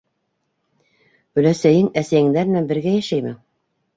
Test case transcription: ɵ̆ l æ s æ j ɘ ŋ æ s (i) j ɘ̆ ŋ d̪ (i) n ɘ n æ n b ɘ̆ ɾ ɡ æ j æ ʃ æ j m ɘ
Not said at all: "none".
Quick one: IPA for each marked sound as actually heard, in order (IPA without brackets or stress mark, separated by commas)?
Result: æ, æ